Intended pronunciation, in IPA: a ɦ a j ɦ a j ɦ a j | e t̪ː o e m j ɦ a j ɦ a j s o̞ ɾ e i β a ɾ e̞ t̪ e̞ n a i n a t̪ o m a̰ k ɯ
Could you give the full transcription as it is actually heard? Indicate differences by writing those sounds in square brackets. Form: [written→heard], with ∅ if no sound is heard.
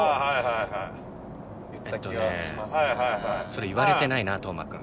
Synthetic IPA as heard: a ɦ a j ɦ a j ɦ a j | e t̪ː o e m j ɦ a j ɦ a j s o̞ ɾ e i β a ɾ e̞ t̪ e̞ n a i n a t̪ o m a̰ k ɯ